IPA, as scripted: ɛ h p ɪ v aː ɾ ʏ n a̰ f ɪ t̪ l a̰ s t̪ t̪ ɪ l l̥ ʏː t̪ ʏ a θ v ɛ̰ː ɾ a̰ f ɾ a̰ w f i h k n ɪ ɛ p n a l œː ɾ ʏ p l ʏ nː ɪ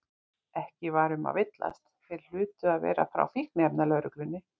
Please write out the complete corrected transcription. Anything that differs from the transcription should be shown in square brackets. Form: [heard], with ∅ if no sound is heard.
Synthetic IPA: ɛ h [c] ɪ v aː ɾ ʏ [m] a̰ [v] ɪ t̪ l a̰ s t̪ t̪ ɪ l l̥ ʏː t̪ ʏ a [ð] v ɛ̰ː ɾ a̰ f ɾ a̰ w f i h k n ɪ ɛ p n a l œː ɾ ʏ [k] l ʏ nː ɪ